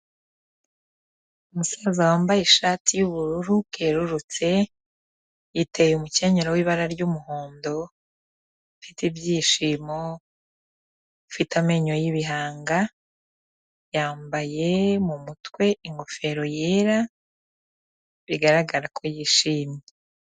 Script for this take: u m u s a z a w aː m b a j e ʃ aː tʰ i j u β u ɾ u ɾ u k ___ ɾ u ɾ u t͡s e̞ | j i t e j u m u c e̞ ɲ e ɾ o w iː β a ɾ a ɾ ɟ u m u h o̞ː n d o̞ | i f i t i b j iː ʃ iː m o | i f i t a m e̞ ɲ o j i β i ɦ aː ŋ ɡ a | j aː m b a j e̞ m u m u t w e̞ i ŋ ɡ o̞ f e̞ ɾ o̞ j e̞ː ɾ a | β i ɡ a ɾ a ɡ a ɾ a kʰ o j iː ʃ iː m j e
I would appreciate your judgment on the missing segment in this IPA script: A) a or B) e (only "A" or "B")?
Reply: B